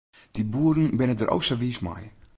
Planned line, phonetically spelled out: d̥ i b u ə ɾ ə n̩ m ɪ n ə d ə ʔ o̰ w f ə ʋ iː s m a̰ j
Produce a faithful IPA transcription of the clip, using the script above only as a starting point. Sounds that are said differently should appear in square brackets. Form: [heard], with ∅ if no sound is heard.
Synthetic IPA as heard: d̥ i b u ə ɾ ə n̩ [b] ɪ n ə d ə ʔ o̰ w [s] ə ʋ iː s m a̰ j

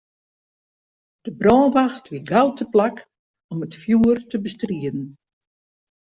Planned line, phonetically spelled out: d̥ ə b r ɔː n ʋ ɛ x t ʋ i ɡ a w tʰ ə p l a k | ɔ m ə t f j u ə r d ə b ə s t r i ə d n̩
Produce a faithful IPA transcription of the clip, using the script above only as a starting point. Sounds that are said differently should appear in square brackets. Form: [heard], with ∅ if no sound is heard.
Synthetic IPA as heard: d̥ ə b r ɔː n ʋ [a] x t ʋ i ɡ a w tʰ ə p l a k | ɔ m ə t f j u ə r [t] ə b ə s t r i ə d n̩

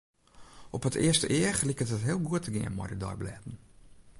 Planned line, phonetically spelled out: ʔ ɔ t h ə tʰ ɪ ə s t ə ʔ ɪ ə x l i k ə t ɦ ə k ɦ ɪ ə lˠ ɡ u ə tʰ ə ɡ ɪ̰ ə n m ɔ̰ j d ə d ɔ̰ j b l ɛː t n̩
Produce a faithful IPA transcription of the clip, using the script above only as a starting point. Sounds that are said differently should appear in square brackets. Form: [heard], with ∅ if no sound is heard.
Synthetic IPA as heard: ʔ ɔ [p] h ə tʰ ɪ ə s t ə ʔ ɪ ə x l i k ə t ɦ ə [t] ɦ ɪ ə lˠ ɡ u ə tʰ ə ɡ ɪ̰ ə n m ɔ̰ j d ə d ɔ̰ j b l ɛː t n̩

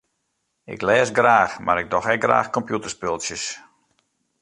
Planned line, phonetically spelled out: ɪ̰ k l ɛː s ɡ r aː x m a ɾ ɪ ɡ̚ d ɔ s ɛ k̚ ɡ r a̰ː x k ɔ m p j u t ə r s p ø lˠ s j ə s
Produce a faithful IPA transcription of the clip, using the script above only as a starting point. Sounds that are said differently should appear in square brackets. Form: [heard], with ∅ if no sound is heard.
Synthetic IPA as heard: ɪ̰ k l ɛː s ɡ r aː x m a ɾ ɪ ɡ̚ d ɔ [x] ɛ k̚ ɡ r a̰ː x k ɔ m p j u t ə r s p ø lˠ s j ə s

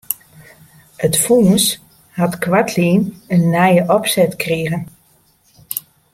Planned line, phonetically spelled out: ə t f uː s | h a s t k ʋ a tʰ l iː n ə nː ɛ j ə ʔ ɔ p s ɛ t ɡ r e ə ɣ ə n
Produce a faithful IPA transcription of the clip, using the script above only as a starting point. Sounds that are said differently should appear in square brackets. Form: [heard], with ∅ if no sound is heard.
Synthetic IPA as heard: ə t f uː s | h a [∅] t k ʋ a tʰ l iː n ə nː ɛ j ə ʔ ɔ p s ɛ t [k] r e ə ɣ ə n

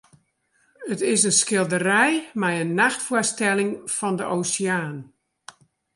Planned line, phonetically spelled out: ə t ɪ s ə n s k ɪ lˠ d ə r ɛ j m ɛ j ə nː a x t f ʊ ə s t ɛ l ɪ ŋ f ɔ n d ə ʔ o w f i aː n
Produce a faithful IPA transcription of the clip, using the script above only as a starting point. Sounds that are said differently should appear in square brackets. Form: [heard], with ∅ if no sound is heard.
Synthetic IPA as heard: ə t ɪ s ə n s k ɪ lˠ d ə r ɛ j m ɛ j ə nː a x t f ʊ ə s t ɛ l ɪ ŋ f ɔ n d ə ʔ o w [s] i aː n

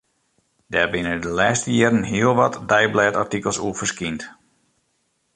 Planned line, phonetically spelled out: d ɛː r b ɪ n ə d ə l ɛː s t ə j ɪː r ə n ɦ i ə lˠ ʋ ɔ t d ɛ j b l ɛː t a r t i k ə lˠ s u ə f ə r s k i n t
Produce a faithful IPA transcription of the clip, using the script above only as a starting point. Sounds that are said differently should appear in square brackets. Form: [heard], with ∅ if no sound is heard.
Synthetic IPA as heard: d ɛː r b ɪ n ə d ə l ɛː s t ə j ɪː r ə n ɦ i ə lˠ ʋ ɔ t d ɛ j b l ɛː t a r t i k ə lˠ s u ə f ə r s k i n t

